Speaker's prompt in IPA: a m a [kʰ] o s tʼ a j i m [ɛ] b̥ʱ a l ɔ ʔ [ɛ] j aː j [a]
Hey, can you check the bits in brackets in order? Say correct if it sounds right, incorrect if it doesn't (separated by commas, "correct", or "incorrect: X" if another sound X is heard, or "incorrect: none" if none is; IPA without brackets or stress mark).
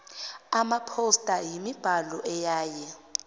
incorrect: pʰ, incorrect: i, correct, incorrect: ɛ